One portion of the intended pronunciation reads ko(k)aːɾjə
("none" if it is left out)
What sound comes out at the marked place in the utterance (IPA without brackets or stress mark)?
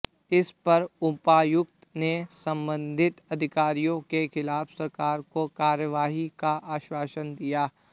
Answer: k